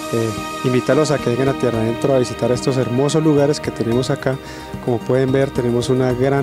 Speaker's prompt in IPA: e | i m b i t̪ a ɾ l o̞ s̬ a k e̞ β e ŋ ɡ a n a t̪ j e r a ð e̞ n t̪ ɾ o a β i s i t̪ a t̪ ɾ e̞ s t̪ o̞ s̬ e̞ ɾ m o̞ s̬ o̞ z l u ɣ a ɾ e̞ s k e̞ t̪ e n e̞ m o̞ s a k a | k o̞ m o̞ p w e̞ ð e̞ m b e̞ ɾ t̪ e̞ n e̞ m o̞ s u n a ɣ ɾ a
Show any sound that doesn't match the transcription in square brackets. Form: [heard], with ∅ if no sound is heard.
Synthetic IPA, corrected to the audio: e | i m b i t̪ a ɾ l o̞ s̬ a k e̞ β e ŋ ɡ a n a t̪ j e r a ð e̞ n t̪ ɾ o a β i s i t̪ a [∅] ɾ e̞ s t̪ o̞ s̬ e̞ ɾ m o̞ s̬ o̞ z l u ɣ a ɾ e̞ s k e̞ t̪ e n e̞ m o̞ s a k a | k o̞ m o̞ p w e̞ ð e̞ m b e̞ ɾ t̪ e̞ n e̞ m o̞ s u n a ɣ ɾ a

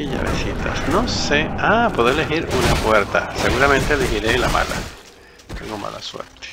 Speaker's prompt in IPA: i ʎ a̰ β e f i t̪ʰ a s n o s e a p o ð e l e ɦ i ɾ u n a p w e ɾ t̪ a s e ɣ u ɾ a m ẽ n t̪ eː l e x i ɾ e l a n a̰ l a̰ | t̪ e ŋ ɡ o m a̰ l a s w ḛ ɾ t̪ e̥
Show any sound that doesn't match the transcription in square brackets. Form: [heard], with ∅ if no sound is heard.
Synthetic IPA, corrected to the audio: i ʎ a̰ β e [s] i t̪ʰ a s n o s e a p o ð e l e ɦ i ɾ u n a p w e ɾ t̪ a s e ɣ u ɾ a m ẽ n t̪ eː l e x i ɾ e l a [m] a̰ l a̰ | t̪ e ŋ ɡ o m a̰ l a s w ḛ ɾ t̪ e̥

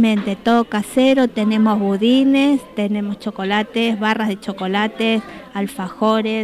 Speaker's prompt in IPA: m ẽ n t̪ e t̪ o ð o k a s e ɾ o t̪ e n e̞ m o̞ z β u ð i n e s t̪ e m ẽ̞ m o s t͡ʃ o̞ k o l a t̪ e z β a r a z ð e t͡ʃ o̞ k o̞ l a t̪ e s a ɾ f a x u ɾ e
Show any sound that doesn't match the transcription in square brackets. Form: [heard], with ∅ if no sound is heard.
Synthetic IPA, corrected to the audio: m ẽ n t̪ e t̪ o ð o k a s e ɾ o t̪ e n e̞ m o̞ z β u ð i n e s t̪ e [n] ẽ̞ m o s t͡ʃ o̞ k o l a t̪ e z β a r a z ð e t͡ʃ o̞ k o̞ l a t̪ e s a [l] f a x [o] ɾ e

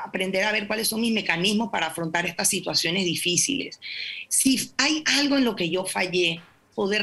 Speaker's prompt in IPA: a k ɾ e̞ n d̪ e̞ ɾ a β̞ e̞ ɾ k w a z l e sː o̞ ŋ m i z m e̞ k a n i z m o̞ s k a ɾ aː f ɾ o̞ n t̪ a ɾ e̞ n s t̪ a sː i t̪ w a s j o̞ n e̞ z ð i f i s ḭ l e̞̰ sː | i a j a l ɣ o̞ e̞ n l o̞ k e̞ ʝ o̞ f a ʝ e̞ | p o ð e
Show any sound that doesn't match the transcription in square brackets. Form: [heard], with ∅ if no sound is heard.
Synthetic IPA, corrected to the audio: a [p] ɾ e̞ n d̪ e̞ ɾ a β̞ e̞ ɾ k w a [∅] l e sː o̞ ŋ m i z m e̞ k a n i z m o̞ s [p] a ɾ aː f ɾ o̞ n t̪ a ɾ e̞ [∅] s t̪ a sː i t̪ w a s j o̞ n e̞ z ð i f i s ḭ l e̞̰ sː | i a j a l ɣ o̞ e̞ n l o̞ k e̞ ʝ o̞ f a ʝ e̞ | p o ð e

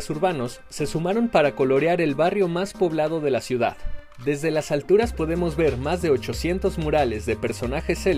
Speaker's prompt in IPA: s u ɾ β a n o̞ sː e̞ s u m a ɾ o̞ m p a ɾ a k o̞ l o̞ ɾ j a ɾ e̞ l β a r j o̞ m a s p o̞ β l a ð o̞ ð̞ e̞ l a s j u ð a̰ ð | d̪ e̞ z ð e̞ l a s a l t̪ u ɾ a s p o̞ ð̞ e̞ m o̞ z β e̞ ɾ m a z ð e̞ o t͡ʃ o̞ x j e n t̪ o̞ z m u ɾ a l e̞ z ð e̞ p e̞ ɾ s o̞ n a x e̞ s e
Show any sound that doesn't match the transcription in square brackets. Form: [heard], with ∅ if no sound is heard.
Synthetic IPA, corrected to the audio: s u ɾ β a n o̞ sː e̞ s u m a ɾ o̞ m p a ɾ a k o̞ l o̞ ɾ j a ɾ e̞ l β a r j o̞ m a s p o̞ β l a ð o̞ ð̞ e̞ l a s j u ð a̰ ð | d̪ e̞ z ð e̞ l a s a l t̪ u ɾ a s p o̞ ð̞ e̞ m o̞ z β e̞ ɾ m a z ð e̞ o t͡ʃ o̞ [s] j e n t̪ o̞ z m u ɾ a l e̞ z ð e̞ p e̞ ɾ s o̞ n a x e̞ s e

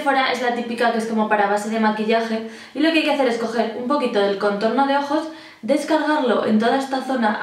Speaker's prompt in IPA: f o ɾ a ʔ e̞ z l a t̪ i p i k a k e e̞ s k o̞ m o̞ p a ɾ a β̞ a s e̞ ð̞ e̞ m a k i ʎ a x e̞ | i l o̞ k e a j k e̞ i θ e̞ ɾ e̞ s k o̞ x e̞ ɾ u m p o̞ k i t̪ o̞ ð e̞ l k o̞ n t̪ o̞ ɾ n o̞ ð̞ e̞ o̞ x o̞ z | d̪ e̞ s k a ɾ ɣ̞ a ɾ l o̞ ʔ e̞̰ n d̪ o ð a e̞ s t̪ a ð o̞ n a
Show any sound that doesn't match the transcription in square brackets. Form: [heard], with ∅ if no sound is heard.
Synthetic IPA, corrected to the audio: f o ɾ a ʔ e̞ z l a t̪ i p i k a k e e̞ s k o̞ m o̞ p a ɾ a β̞ a s e̞ ð̞ e̞ m a k i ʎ a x e̞ | i l o̞ k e a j k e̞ [a] θ e̞ ɾ e̞ s k o̞ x e̞ ɾ u m p o̞ k i t̪ o̞ ð e̞ l k o̞ n t̪ o̞ ɾ n o̞ ð̞ e̞ o̞ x o̞ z | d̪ e̞ s k a ɾ ɣ̞ a ɾ l o̞ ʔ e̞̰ n [t̪] o ð a e̞ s t̪ a [θ] o̞ n a

